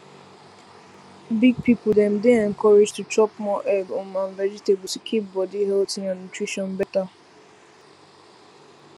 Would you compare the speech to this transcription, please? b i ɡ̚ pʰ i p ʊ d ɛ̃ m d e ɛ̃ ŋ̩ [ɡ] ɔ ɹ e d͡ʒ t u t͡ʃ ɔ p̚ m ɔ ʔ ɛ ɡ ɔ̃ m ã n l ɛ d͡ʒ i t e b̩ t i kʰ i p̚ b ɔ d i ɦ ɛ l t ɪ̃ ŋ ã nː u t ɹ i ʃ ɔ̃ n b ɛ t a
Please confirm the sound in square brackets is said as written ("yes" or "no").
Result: no